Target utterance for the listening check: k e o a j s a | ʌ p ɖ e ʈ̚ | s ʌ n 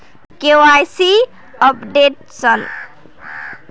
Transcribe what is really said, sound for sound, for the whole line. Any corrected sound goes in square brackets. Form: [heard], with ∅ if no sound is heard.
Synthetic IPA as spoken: k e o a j s [i] | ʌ p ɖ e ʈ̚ | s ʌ n